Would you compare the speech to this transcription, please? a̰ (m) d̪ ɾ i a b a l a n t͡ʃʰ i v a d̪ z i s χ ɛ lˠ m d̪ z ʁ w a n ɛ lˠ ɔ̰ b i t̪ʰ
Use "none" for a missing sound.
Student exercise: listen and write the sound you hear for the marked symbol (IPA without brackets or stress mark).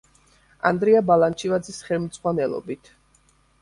n